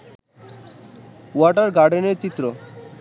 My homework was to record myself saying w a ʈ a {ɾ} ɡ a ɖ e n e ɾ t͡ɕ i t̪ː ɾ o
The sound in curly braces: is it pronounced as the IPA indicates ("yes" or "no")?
yes